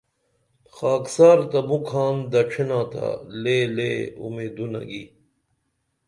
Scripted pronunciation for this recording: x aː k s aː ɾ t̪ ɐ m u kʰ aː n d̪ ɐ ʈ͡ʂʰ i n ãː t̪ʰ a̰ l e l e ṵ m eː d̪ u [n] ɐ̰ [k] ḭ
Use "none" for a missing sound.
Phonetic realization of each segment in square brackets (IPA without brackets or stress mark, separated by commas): n, ɡ